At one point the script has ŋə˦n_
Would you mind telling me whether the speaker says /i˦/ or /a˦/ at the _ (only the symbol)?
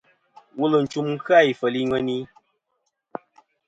i˦